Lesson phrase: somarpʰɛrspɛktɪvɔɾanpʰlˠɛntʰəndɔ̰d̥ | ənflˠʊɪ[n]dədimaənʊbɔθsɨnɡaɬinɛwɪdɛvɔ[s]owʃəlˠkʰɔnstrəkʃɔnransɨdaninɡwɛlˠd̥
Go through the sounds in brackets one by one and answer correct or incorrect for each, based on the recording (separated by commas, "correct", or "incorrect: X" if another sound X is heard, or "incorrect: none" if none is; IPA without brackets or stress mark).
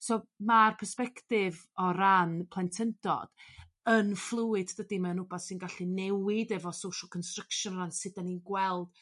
incorrect: d, correct